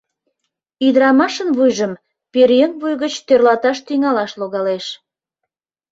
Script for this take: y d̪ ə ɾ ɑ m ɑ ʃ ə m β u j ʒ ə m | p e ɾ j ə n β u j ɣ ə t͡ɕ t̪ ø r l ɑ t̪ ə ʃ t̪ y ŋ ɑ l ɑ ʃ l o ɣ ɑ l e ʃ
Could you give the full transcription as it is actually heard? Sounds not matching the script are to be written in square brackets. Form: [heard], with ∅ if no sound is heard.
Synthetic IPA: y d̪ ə ɾ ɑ m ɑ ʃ ə [n] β u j ʒ ə m | p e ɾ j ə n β u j ɣ ə t͡ɕ t̪ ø r l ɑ t̪ [ɑ] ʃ t̪ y ŋ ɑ l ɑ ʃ l o ɣ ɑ l e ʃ